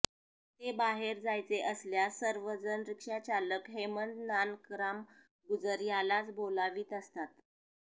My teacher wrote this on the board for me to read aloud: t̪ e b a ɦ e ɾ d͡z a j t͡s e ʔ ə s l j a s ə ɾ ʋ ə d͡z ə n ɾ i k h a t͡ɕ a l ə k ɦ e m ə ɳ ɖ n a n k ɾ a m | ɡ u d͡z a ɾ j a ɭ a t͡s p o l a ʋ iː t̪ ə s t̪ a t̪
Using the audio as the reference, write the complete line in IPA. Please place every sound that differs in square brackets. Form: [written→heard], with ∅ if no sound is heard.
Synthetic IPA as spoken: t̪ e b a ɦ e ɾ d͡z a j t͡s e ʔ ə s l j a s ə ɾ ʋ ə d͡z ə n ɾ i k [h→ʂ] a t͡ɕ a l ə k ɦ e m ə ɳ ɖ n a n k ɾ a m | ɡ u d͡z [a→ə] ɾ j a [ɭ→l] a t͡s [p→b] o l a ʋ iː t̪ ə s t̪ a t̪